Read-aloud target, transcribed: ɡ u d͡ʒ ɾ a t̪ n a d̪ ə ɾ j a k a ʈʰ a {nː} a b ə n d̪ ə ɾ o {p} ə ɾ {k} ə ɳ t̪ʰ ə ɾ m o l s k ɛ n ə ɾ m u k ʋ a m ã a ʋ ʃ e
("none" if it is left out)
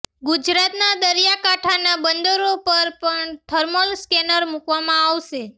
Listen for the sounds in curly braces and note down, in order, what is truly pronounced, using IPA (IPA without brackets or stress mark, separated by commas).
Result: n, p, p